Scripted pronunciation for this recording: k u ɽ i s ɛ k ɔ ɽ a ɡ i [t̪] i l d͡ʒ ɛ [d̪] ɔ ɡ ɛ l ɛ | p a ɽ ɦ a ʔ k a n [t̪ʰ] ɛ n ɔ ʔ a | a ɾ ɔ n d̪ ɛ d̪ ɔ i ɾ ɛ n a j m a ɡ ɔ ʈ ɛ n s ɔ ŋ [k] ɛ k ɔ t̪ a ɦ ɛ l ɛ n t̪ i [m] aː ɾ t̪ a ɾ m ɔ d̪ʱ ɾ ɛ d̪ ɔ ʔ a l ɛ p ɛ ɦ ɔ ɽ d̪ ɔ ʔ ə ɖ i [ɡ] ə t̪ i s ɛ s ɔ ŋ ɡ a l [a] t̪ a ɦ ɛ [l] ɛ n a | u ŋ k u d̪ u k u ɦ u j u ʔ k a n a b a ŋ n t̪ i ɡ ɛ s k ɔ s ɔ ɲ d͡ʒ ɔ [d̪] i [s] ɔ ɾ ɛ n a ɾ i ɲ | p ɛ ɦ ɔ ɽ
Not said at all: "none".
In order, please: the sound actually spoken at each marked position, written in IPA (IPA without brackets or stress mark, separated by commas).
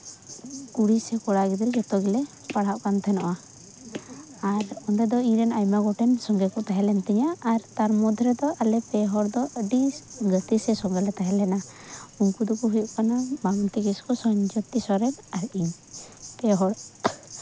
d̪, t̪, t̪ʰ, ɡ, ɲ, ɡ, ɛ, l, t̪, s